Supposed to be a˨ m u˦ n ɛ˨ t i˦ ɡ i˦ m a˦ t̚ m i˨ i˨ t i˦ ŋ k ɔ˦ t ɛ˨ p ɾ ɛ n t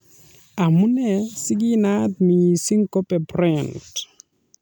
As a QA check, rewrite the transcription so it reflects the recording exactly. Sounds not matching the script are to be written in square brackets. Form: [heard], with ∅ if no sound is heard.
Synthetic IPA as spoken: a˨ m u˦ n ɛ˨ [s] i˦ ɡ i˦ [n] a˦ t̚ m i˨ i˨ [s] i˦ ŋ k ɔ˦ [p] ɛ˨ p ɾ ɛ n t

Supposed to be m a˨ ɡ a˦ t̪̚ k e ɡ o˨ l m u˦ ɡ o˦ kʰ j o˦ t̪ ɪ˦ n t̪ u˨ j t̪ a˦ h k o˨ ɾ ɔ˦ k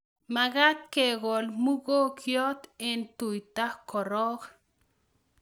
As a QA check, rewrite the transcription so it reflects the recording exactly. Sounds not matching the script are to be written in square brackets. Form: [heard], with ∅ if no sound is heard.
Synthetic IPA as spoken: m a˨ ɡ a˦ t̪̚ k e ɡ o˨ l m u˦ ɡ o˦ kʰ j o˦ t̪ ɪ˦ n t̪ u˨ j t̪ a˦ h k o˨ ɾ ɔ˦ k

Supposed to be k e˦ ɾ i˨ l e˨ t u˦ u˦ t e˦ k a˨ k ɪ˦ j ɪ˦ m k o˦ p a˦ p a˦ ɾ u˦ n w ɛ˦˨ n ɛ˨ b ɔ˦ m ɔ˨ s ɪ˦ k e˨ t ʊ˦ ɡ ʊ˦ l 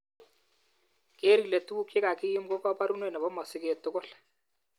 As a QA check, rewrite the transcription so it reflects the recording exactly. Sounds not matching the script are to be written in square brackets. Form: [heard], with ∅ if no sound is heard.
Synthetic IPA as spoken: k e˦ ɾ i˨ l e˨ t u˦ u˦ [k] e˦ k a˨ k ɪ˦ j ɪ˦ m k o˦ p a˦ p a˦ ɾ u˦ n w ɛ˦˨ n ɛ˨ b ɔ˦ m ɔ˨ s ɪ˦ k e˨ t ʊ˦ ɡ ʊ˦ l

